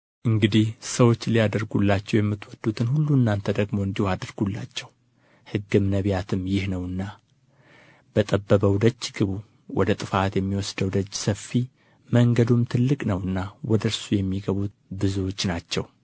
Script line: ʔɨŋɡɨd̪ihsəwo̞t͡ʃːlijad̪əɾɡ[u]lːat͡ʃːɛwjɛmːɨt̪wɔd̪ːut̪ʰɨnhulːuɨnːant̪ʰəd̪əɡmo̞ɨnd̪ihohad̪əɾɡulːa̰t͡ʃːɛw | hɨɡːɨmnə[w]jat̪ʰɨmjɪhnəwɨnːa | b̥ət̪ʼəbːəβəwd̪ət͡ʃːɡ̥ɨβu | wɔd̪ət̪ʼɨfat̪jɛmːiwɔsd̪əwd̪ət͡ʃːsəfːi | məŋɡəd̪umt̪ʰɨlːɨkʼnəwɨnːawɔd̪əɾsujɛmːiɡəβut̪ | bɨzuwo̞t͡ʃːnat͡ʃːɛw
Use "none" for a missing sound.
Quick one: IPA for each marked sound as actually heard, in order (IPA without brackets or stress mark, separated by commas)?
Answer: u, β